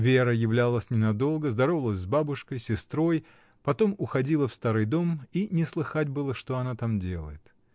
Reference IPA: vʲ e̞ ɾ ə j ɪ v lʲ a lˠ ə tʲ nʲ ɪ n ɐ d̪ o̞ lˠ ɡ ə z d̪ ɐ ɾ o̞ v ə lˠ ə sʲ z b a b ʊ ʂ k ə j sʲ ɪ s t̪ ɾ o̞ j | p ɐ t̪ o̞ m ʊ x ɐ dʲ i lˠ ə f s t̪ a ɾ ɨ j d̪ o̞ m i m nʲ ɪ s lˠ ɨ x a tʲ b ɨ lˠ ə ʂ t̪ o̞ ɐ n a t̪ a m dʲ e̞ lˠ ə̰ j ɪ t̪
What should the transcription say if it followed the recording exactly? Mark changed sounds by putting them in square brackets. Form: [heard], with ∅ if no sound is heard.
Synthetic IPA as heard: vʲ e̞ ɾ ə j ɪ v lʲ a lˠ ə [sʲ] nʲ ɪ n ɐ d̪ o̞ lˠ ɡ ə z d̪ ɐ ɾ o̞ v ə lˠ ə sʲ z b a b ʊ ʂ k ə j sʲ ɪ s t̪ ɾ o̞ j | p ɐ t̪ o̞ m ʊ x ɐ dʲ i lˠ ə f s t̪ a ɾ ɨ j d̪ o̞ m i [∅] nʲ ɪ s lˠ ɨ x a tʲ b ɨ lˠ ə ʂ t̪ o̞ ɐ n a t̪ a m dʲ e̞ lˠ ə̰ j ɪ t̪

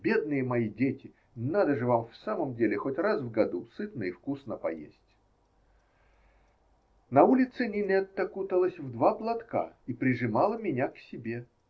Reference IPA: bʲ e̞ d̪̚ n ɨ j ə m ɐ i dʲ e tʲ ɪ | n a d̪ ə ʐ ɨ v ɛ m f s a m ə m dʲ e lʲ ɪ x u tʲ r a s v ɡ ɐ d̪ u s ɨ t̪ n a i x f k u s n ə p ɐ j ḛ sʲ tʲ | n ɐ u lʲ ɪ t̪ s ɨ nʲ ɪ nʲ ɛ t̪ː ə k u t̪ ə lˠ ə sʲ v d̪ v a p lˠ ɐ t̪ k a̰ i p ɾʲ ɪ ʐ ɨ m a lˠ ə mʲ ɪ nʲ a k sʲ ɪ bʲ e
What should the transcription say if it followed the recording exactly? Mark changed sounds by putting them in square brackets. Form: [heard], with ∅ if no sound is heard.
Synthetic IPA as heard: bʲ e̞ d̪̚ n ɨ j ə m ɐ i dʲ e tʲ ɪ | n a d̪ ə ʐ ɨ v [a] m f s a m ə m dʲ e lʲ ɪ x [o] tʲ r a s v ɡ ɐ d̪ u s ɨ t̪ n [ə] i [∅] f k u s n ə p ɐ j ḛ sʲ tʲ | n ɐ u lʲ ɪ t̪ s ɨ nʲ ɪ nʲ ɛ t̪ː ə k u t̪ ə lˠ ə sʲ v d̪ v a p lˠ ɐ t̪ k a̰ i p ɾʲ ɪ ʐ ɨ m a lˠ ə mʲ ɪ nʲ a k sʲ ɪ bʲ e

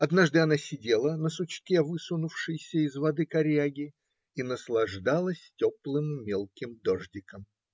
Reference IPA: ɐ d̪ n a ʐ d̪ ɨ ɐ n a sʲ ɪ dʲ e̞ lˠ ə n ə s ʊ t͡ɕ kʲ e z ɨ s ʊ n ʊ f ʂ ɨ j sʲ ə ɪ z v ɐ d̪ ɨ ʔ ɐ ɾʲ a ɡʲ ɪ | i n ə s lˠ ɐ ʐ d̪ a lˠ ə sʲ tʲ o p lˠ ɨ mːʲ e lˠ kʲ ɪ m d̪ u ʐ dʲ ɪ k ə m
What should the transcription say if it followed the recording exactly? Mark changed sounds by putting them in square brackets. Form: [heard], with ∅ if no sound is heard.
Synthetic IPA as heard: ɐ d̪ n a ʐ d̪ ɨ ɐ n a sʲ ɪ dʲ e̞ lˠ ə n ə s ʊ t͡ɕ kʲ e [v] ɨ s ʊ n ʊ f ʂ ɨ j sʲ ə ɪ z v ɐ d̪ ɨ [k] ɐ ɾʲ a ɡʲ ɪ | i n ə s lˠ ɐ ʐ d̪ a lˠ ə sʲ tʲ o p lˠ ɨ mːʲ e lˠ kʲ ɪ m d̪ [o] ʐ dʲ ɪ k ə m

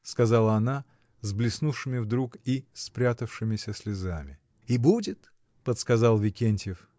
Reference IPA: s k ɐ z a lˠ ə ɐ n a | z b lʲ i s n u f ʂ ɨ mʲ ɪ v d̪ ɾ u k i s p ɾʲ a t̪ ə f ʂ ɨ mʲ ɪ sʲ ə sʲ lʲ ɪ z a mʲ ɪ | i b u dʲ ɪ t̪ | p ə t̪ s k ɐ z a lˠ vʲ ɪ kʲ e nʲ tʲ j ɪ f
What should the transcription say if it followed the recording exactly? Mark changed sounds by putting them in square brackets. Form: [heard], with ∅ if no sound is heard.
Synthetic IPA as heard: s k ɐ z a lˠ ə ɐ n a | z b lʲ [ɪ] s n u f ʂ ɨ mʲ ɪ v d̪ ɾ u k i s p ɾʲ a t̪ ə f ʂ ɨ mʲ ɪ sʲ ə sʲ lʲ ɪ z a mʲ ɪ | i b u dʲ ɪ t̪ | p ə t̪ s k ɐ z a lˠ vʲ ɪ kʲ e nʲ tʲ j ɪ f

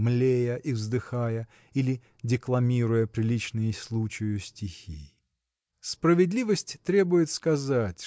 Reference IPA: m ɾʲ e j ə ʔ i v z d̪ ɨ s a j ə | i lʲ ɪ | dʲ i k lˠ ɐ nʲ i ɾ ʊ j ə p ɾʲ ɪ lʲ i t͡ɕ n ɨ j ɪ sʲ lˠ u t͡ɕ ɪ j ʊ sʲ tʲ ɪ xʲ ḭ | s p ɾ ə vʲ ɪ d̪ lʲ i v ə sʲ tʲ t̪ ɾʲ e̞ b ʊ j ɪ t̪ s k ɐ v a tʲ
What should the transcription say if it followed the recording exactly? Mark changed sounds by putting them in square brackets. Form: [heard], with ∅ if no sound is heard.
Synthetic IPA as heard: m [lʲ] e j ə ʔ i v z d̪ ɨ [x] a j ə | i lʲ ɪ | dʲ [ɪ] k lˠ ɐ [mʲ] i ɾ ʊ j ə p ɾʲ ɪ lʲ i t͡ɕ n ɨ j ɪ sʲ lˠ u t͡ɕ ɪ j ʊ sʲ tʲ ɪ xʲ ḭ | s p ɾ ə vʲ ɪ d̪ lʲ i v ə sʲ tʲ t̪ ɾʲ e̞ b ʊ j ɪ t̪ s k ɐ [z] a tʲ

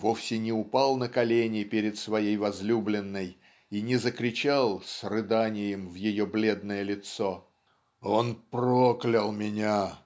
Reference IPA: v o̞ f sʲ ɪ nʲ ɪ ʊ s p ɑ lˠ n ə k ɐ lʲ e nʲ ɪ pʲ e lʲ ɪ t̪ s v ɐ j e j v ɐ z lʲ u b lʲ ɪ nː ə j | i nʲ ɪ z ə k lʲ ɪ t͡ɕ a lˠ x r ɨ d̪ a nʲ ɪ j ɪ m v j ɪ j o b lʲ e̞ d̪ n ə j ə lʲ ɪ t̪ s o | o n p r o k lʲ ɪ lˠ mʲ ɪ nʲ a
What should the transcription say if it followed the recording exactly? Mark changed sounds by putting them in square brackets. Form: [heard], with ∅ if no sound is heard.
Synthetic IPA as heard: v o̞ f sʲ ɪ nʲ ɪ ʊ [∅] p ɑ lˠ n ə k ɐ lʲ e nʲ ɪ pʲ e [ɾʲ] ɪ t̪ s v ɐ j e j v ɐ z lʲ u b lʲ ɪ nː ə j | i nʲ ɪ z ə k [ɾʲ] ɪ t͡ɕ a lˠ [s] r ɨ d̪ a nʲ ɪ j ɪ m v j ɪ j o b lʲ e̞ d̪ n ə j ə lʲ ɪ t̪ s o | o n p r o k lʲ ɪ lˠ mʲ ɪ nʲ a

